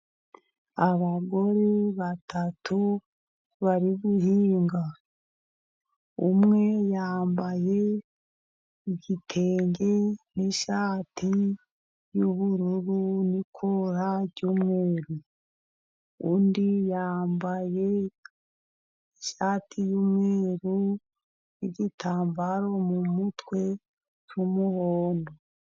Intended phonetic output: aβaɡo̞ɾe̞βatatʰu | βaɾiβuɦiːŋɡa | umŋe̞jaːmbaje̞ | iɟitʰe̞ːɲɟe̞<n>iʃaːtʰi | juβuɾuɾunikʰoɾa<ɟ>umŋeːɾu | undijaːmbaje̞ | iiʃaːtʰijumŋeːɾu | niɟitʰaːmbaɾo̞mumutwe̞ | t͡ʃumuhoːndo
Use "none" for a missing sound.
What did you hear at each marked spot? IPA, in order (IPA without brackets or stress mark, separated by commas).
n, ɟ